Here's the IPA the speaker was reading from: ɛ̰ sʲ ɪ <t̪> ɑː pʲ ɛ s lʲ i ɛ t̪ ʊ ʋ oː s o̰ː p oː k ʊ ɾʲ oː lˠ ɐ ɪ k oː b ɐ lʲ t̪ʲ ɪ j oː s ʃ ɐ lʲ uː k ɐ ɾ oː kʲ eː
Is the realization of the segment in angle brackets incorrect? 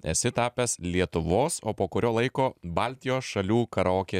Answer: no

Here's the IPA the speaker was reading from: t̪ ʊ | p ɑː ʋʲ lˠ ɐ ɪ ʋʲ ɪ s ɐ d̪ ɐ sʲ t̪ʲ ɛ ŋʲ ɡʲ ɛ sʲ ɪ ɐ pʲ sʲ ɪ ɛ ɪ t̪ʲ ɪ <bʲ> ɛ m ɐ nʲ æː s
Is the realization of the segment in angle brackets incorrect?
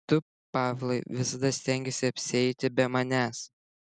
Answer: no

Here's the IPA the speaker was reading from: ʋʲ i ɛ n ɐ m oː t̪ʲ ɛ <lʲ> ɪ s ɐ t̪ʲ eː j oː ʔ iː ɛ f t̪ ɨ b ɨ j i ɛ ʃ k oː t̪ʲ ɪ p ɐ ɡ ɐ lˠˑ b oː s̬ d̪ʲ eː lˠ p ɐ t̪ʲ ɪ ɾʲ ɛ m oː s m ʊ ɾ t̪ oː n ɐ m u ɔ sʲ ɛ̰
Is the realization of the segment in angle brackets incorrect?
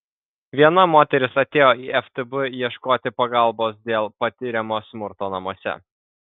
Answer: yes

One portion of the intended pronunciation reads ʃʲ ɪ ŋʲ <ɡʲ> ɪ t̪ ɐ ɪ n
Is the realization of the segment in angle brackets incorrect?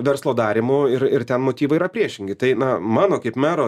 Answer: no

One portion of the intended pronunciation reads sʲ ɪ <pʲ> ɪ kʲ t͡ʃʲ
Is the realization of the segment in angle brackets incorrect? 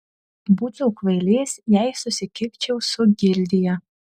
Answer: yes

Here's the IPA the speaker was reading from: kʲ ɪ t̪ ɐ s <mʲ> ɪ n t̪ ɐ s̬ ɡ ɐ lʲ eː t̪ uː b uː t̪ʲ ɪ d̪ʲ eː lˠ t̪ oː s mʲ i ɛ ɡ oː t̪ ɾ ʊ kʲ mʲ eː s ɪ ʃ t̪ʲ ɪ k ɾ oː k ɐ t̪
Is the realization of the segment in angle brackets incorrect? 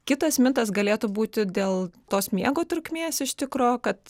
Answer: no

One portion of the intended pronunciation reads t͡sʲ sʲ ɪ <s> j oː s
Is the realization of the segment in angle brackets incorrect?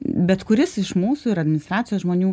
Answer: yes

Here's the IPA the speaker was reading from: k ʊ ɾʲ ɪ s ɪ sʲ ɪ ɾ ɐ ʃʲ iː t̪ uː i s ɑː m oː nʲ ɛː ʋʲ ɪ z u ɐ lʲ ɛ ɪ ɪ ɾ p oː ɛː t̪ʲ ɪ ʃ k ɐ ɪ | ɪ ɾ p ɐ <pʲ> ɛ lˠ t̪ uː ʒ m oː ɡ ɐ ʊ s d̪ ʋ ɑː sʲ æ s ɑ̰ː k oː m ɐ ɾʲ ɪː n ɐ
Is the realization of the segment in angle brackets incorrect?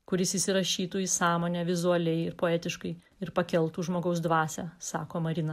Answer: yes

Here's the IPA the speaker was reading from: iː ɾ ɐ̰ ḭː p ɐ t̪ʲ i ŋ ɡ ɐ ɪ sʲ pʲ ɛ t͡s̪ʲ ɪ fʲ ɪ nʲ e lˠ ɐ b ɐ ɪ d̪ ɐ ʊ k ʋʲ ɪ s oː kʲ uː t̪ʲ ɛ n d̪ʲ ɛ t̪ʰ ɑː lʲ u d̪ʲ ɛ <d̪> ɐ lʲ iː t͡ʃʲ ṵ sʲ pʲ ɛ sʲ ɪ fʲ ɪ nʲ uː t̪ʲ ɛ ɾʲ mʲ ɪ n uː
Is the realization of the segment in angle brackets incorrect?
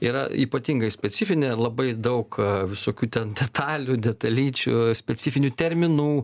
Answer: yes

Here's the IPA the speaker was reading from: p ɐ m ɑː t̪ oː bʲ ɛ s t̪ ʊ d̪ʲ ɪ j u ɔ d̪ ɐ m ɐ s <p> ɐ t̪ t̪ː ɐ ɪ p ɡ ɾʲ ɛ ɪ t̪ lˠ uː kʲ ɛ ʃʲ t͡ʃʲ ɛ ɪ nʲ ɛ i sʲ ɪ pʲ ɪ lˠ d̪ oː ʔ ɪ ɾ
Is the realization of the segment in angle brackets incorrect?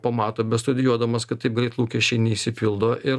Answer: yes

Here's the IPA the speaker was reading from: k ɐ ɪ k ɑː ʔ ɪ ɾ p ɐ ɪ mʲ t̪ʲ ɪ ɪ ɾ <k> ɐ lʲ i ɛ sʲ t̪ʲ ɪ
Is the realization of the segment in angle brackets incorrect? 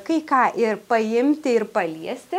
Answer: yes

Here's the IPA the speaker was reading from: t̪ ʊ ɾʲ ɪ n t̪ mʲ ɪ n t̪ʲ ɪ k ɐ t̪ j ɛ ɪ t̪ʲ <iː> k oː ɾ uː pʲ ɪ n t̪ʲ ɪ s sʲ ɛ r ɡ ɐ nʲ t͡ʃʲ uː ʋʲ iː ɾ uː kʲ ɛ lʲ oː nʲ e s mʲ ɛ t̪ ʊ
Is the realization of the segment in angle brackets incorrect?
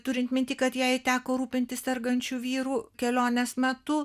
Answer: yes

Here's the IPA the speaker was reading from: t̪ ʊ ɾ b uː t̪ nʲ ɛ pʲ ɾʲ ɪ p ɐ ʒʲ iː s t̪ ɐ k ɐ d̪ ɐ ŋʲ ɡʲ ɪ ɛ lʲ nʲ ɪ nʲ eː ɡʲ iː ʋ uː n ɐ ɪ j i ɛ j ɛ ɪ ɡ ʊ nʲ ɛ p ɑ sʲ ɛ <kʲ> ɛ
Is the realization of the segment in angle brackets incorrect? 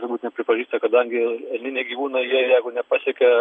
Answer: no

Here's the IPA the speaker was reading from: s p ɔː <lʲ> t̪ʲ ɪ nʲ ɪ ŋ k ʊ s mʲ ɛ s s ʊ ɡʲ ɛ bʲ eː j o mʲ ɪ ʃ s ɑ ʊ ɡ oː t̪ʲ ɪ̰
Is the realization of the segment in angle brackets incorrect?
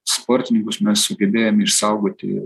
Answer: yes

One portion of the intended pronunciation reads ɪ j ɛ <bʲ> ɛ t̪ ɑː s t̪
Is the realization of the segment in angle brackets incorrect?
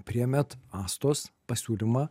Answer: yes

